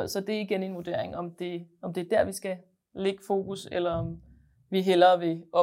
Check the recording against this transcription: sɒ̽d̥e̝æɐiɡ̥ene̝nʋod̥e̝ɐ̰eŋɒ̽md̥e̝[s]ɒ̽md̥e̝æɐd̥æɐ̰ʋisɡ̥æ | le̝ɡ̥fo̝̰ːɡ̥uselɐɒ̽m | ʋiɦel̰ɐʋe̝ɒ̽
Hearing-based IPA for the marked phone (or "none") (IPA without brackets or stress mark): none